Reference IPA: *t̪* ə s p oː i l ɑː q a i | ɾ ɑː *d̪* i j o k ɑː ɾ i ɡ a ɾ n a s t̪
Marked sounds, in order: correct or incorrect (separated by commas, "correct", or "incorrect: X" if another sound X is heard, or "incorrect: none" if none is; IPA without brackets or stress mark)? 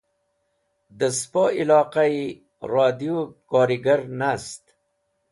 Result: incorrect: d̪, correct